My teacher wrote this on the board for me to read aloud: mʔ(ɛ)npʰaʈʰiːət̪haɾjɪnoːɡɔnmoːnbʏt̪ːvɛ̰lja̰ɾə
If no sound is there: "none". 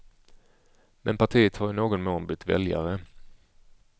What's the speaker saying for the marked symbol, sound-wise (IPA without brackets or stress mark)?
ɛ